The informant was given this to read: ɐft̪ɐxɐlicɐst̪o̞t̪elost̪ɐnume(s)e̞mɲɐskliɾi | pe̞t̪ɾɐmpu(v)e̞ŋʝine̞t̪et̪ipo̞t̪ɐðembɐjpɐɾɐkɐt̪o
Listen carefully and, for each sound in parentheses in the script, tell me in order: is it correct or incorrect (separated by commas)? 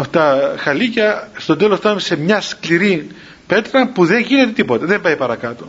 correct, incorrect